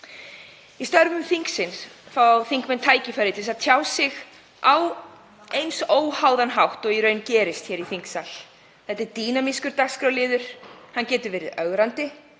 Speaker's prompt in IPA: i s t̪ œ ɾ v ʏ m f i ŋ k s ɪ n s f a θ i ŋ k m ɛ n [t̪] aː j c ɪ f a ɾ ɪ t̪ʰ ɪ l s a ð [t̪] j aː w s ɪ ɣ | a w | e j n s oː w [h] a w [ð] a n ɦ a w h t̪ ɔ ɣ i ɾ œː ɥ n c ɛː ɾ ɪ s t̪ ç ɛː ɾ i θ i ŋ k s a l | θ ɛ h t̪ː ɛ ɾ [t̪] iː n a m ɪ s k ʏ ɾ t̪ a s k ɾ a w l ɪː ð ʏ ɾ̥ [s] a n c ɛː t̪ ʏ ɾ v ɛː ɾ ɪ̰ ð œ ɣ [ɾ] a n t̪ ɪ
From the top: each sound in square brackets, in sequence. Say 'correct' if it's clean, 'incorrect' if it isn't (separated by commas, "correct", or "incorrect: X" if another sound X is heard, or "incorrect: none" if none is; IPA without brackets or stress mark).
incorrect: t̪ʰ, incorrect: t̪ʰ, correct, correct, correct, incorrect: h, correct